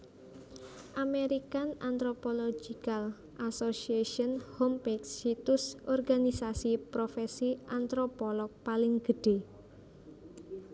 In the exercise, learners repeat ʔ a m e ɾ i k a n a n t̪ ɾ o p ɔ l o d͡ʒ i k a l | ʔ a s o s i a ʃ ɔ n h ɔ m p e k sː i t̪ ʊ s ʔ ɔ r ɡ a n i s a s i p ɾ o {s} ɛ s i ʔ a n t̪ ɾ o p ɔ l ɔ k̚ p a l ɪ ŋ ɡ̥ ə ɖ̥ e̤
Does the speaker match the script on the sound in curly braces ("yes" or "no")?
no